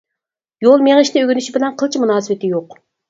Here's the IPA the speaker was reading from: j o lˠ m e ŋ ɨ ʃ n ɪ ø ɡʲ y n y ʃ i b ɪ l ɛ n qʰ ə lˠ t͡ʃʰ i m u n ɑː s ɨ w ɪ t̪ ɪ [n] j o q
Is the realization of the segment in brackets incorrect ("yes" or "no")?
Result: yes